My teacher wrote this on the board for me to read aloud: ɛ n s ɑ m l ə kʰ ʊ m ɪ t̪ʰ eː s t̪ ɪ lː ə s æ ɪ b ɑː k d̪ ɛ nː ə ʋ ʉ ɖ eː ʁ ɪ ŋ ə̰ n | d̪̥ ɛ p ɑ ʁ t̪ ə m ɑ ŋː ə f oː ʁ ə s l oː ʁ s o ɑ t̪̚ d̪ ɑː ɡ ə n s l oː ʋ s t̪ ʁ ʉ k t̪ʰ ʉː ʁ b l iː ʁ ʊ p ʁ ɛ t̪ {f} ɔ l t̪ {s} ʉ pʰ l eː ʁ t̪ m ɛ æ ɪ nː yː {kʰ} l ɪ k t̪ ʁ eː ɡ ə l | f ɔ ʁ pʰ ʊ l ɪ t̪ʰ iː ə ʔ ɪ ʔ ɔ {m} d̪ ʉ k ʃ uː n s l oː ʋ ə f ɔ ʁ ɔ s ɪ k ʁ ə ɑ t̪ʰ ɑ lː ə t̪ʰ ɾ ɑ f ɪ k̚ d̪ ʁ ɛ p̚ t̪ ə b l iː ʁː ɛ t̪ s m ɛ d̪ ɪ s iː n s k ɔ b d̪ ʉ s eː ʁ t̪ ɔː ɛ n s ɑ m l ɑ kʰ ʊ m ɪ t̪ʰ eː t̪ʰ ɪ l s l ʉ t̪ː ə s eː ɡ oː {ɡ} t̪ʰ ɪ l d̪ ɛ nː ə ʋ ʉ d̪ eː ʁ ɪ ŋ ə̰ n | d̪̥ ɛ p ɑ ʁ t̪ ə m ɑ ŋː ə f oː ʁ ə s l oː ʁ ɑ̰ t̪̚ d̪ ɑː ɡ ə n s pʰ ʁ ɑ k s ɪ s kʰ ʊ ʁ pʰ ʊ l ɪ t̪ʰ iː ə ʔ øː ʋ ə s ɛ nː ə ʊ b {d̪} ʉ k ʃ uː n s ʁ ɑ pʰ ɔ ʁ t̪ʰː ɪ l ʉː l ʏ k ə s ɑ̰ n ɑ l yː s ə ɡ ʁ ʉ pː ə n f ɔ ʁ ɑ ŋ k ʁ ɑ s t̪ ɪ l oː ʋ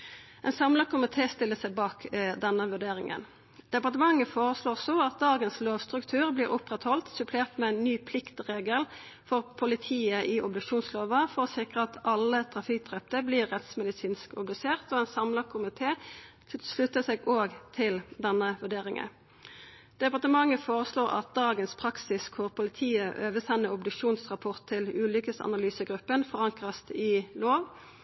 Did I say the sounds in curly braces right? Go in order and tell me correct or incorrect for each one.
incorrect: h, correct, incorrect: pʰ, incorrect: b, correct, correct

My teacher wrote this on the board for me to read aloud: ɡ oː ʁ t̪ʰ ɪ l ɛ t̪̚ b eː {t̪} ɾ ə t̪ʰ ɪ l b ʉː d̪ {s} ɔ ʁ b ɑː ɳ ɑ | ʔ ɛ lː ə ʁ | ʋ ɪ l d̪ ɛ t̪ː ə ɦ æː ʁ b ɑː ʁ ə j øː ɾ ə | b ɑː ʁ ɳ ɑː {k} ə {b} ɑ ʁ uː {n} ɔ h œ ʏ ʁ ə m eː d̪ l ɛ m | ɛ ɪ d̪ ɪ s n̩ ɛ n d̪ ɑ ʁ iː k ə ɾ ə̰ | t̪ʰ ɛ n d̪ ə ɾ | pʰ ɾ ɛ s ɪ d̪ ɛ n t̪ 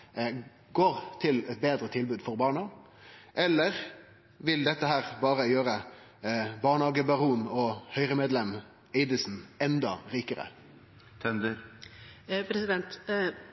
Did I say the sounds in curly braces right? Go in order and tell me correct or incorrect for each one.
incorrect: d̪, incorrect: f, incorrect: ɡ, correct, correct

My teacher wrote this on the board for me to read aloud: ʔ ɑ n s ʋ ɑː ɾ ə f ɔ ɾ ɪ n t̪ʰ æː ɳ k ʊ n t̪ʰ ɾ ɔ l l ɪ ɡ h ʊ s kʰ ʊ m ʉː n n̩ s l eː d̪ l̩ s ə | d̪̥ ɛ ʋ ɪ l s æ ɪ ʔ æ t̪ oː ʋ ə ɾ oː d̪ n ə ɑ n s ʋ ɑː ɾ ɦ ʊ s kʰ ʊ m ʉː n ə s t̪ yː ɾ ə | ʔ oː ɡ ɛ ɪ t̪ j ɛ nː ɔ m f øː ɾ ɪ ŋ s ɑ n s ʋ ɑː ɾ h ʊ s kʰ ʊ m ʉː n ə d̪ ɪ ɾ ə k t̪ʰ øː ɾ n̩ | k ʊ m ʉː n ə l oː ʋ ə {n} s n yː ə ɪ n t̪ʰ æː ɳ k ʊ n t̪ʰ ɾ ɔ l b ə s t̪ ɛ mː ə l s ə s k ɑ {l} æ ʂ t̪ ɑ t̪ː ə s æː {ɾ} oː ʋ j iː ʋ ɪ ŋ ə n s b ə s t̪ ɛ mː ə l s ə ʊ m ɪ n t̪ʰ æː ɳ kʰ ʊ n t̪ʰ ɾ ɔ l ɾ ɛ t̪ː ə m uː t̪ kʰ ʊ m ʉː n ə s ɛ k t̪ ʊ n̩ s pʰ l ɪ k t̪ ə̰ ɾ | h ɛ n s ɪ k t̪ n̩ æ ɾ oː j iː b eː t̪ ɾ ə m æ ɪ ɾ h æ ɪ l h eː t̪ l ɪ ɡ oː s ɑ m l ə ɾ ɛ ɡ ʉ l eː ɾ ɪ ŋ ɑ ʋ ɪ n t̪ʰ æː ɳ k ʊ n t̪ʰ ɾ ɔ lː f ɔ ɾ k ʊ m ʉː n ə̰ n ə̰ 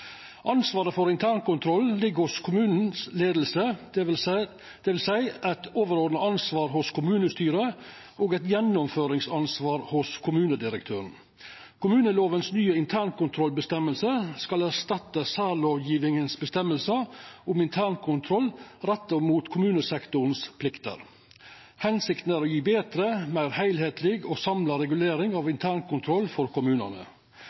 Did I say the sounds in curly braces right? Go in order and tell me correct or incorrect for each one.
correct, correct, incorrect: l

